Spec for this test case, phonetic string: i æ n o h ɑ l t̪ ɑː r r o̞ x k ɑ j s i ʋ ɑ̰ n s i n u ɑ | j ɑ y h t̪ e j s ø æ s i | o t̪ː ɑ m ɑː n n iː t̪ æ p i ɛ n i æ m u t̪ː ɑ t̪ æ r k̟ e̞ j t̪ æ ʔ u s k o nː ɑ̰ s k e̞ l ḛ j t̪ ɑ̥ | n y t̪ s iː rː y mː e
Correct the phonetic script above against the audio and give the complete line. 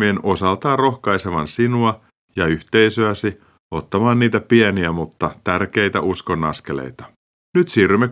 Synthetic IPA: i e n o s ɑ l t̪ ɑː r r o̞ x k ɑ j s e ʋ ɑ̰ n s i n u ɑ | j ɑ y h t̪ e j s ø æ s i | o t̪ː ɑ m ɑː n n iː t̪ æ p i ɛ n i æ m u t̪ː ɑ t̪ æ r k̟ e̞ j t̪ æ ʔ u s k o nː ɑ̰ s k e̞ l ḛ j t̪ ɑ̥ | n y t̪ s iː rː y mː e